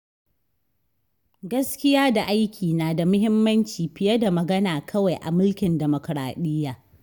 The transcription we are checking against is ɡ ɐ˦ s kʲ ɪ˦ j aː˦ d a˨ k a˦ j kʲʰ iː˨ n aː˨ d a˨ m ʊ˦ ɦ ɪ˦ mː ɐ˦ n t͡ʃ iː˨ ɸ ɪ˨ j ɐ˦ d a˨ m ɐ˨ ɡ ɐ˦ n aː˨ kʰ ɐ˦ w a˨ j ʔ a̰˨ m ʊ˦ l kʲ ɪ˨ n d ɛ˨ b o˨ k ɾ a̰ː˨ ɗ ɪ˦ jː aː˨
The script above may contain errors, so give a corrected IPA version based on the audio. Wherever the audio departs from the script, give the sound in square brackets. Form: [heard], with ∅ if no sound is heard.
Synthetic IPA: ɡ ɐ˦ s kʲ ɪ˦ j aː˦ d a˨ [ʔ] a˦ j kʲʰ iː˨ n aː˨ d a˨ m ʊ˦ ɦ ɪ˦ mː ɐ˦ n t͡ʃ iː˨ ɸ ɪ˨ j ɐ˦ d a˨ m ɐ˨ ɡ ɐ˦ n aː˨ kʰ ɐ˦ w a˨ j ʔ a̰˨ m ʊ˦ l kʲ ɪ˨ n d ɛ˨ [m] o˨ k ɾ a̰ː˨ ɗ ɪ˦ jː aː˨